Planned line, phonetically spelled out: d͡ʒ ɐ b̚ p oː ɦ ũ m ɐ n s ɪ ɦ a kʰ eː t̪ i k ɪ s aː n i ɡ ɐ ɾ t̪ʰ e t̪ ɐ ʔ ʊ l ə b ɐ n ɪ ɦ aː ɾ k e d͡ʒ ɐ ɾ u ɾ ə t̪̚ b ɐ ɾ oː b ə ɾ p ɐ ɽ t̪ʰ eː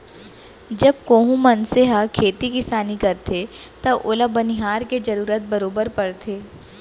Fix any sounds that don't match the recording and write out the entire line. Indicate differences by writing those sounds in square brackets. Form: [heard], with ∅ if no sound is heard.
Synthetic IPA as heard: d͡ʒ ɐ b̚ [k] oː ɦ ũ m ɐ n s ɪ ɦ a kʰ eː t̪ i k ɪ s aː n i [k] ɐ ɾ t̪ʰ e t̪ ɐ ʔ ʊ l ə b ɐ n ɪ ɦ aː ɾ k e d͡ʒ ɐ ɾ [uː] ɾ ə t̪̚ b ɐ ɾ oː b ə ɾ p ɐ ɽ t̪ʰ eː